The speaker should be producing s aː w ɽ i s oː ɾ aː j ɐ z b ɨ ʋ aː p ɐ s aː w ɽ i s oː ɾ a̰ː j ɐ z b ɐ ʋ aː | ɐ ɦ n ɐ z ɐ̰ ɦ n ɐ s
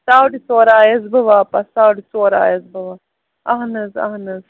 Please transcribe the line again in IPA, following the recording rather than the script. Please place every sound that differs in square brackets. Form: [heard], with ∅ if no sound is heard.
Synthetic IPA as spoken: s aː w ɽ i s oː ɾ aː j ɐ z b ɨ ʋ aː p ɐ s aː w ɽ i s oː ɾ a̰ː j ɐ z b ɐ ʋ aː | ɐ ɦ n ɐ z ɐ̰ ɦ n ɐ [z]

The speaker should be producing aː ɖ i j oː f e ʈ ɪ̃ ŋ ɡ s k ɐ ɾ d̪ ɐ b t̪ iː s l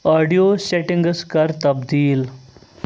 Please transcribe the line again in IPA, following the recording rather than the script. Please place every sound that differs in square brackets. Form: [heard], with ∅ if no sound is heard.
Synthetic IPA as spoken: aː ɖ i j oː [s] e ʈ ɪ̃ ŋ ɡ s k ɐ ɾ [t̪] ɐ b [d̪] iː [∅] l

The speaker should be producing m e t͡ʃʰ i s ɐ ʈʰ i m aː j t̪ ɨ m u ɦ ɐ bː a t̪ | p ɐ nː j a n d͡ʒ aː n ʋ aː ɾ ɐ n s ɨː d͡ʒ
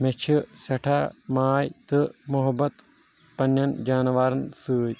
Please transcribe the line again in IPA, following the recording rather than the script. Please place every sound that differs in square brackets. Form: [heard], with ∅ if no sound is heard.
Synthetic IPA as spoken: m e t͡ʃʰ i s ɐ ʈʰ [a] m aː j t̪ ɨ m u ɦ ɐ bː [ɐ] t̪ | p ɐ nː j [ɐ] n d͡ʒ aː n ʋ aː ɾ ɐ n s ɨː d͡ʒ

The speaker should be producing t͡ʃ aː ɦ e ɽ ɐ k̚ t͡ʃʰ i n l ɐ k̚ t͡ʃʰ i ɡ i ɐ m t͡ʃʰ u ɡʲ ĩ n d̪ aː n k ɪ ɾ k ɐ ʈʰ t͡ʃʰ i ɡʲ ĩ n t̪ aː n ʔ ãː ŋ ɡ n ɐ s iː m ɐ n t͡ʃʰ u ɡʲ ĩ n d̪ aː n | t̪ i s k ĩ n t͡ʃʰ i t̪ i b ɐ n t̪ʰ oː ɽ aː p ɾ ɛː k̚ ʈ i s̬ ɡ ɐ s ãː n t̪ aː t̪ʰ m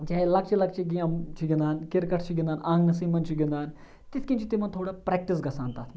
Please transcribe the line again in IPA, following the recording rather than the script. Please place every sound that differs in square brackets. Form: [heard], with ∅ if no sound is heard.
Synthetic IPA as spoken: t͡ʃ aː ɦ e [l] ɐ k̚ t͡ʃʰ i [∅] l ɐ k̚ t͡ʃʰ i ɡ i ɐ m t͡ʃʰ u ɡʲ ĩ n d̪ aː n k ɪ ɾ k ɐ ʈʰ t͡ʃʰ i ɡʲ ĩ n [d̪] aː n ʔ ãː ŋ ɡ n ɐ s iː m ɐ n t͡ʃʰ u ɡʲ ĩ n d̪ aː n | t̪ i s k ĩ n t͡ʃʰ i t̪ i [m] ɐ n t̪ʰ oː ɽ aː p ɾ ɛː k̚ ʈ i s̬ ɡ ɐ s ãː n t̪ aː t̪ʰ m

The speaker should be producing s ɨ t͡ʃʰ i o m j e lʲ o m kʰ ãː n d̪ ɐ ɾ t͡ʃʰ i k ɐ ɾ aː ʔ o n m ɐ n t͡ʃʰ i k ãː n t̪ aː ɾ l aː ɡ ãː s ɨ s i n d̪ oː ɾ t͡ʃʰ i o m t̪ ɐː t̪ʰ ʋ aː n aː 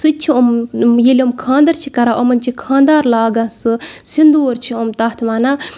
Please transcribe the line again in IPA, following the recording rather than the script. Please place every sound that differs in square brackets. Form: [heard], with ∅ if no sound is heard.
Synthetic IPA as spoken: s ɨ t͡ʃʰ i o m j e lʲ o m kʰ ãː n d̪ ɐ ɾ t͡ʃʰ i k ɐ ɾ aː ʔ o [∅] m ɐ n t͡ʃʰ i [kʰ] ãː n [d̪] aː ɾ l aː ɡ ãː s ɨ s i n d̪ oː ɾ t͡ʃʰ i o m t̪ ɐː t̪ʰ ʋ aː n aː

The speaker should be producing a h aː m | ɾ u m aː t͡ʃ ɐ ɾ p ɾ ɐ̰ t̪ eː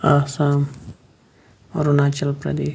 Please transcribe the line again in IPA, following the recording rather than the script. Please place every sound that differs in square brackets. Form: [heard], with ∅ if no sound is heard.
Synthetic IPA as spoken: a [s] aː m | ɾ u [n] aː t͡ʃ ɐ [l] p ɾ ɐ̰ [d̪] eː

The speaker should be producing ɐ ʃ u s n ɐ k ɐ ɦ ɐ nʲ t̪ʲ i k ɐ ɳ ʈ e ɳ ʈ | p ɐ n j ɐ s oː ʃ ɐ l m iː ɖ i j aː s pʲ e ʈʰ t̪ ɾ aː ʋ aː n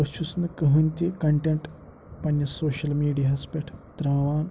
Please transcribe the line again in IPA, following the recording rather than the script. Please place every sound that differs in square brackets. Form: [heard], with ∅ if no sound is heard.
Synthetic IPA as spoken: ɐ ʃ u s n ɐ k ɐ ɦ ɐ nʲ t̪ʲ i k ɐ ɳ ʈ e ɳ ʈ | p ɐ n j ɐ s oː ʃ ɐ l m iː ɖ i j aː s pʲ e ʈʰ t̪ ɾ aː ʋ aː n

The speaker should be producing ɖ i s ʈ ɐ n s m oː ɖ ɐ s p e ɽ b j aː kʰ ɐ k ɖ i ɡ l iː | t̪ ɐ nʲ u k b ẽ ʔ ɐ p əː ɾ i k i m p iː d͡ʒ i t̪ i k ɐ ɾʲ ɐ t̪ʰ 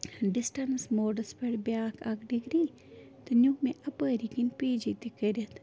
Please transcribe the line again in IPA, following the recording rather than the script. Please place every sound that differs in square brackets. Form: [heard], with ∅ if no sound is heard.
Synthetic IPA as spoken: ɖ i s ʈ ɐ n s m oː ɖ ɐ s p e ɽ b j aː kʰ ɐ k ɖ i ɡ [ɾ] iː | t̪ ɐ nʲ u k [m] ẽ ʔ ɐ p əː ɾ i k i [n] p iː d͡ʒ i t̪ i k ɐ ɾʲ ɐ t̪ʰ

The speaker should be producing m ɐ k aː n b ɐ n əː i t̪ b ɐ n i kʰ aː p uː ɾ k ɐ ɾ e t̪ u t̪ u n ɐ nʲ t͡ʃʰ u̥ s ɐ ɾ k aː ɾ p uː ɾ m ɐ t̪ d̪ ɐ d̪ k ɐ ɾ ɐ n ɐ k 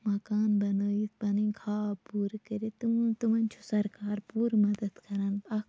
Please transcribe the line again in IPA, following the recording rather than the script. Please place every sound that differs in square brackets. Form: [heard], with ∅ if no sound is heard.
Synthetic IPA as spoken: m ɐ k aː n b ɐ n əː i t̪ b ɐ n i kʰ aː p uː ɾ k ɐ ɾ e t̪ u t̪ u [m] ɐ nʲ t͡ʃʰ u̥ s ɐ ɾ k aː ɾ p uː ɾ m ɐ [∅] d̪ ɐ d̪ k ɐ ɾ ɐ n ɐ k

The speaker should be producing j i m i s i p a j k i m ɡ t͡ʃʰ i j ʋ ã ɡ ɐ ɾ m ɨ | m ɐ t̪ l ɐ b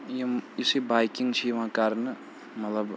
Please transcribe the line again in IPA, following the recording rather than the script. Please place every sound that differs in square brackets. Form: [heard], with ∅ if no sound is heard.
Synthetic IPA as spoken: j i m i s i [b] a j k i [ŋ] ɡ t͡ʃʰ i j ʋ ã [k] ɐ ɾ [n] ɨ | m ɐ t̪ l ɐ b

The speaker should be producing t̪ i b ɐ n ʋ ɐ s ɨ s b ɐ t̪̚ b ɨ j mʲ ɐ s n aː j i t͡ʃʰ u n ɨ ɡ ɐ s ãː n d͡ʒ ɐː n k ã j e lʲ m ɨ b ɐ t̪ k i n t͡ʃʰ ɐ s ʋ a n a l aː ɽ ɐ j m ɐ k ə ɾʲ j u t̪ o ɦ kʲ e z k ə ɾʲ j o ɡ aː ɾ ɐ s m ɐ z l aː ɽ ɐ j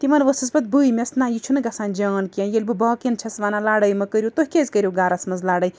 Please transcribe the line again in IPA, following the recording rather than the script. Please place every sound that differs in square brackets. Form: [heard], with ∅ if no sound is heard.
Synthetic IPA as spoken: t̪ i [m] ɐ n ʋ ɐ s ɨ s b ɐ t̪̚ b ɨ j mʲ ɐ s n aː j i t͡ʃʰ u n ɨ ɡ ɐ s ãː n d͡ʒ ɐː n k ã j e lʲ [b] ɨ b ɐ [∅] k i n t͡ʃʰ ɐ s ʋ a n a l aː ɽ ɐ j m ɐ k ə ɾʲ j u t̪ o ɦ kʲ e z k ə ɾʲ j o ɡ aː ɾ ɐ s m ɐ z l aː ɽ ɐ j

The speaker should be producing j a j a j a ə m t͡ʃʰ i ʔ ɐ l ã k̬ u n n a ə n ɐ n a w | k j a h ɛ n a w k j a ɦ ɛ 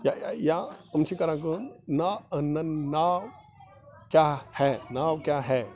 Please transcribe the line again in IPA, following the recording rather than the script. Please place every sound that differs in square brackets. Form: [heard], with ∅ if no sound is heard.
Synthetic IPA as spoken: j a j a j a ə m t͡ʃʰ i [k] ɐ [ɾ] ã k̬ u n n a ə n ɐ n a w | k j a h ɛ n a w k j a ɦ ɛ

